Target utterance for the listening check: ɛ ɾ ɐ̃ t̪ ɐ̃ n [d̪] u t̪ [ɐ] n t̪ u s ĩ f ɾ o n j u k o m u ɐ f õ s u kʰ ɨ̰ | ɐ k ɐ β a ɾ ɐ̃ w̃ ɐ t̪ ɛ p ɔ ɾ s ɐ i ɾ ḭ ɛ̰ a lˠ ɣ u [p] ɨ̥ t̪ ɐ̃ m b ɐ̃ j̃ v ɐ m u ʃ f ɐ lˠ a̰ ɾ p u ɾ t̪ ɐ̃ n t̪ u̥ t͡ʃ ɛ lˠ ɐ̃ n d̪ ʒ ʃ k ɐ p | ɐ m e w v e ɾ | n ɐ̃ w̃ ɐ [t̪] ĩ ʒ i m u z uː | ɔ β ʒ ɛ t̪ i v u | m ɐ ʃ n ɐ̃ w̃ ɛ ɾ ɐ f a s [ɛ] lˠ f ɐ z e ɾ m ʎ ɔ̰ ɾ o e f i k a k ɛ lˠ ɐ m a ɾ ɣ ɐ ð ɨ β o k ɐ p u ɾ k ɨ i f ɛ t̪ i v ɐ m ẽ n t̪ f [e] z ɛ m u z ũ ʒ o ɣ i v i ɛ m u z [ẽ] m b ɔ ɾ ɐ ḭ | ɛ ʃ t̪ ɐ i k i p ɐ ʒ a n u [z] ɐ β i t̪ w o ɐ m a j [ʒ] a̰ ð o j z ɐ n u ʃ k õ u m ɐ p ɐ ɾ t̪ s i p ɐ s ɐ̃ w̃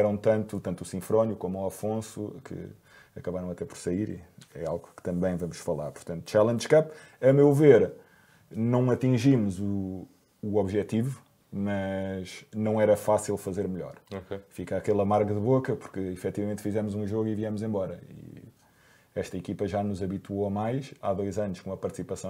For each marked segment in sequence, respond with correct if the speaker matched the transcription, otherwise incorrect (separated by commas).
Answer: incorrect, incorrect, incorrect, correct, incorrect, incorrect, correct, correct, incorrect